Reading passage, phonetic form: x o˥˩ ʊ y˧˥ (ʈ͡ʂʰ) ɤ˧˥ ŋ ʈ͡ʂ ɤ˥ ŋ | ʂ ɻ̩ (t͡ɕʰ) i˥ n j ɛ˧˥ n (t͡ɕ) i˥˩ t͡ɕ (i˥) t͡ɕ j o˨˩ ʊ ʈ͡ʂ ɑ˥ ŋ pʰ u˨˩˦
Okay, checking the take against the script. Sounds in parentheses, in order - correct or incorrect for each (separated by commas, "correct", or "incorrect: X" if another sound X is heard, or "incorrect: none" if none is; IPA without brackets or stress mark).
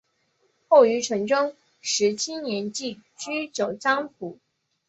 correct, correct, correct, incorrect: y˥